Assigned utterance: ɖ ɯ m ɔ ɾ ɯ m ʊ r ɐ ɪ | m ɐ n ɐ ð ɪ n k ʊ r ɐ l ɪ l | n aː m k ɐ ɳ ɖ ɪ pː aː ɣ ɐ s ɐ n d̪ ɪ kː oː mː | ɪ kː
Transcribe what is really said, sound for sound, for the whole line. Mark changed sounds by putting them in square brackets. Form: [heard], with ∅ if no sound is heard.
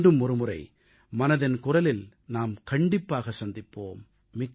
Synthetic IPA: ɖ ɯ m ɔ ɾ ɯ m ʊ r ɐ ɪ | m ɐ n ɐ ð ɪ n k ʊ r ɐ l ɪ l | n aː m k ɐ ɳ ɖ ɪ pː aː ɣ ɐ s ɐ n d̪ ɪ [pː] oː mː | ɪ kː